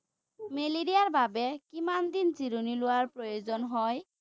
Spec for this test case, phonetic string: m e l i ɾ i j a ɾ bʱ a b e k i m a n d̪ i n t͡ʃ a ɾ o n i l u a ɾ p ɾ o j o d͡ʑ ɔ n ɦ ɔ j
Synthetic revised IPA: m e l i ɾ i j a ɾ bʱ a b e k i m a n d̪ i n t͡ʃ i ɾ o n i l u a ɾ p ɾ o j o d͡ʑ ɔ n ɦ ɔ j